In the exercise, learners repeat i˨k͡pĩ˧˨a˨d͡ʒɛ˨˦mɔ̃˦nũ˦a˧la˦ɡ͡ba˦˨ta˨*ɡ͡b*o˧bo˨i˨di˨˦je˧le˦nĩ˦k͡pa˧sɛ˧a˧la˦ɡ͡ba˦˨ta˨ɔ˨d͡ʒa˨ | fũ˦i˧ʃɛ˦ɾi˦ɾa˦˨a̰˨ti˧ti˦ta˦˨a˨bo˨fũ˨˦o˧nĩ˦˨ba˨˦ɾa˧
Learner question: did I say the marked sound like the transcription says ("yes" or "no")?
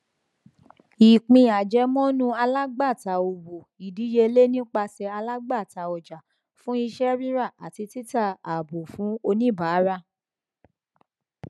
no